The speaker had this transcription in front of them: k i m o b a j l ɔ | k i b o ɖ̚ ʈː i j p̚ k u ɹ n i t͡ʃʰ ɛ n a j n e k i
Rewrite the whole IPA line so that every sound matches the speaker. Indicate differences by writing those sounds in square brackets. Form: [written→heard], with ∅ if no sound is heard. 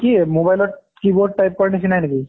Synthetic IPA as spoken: k i m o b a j l ɔ | k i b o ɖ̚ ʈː [i→a] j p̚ k [u→ɔ] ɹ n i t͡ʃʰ [ɛ→i] n a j n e k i